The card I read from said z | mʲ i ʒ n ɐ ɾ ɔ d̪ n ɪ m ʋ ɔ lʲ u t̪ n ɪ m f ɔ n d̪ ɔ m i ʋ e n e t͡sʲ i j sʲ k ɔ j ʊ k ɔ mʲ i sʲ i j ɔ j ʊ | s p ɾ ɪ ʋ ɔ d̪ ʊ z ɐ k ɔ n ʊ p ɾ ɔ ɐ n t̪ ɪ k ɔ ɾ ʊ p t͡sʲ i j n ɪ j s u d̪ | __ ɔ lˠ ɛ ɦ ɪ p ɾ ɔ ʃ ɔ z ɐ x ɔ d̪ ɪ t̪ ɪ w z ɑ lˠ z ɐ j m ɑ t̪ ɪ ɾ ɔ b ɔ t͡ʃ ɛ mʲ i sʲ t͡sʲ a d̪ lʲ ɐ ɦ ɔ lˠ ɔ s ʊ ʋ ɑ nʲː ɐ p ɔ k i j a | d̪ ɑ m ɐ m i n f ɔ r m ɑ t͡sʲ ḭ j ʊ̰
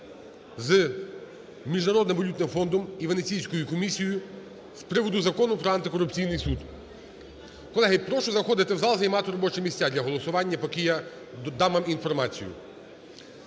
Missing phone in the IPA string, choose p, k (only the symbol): k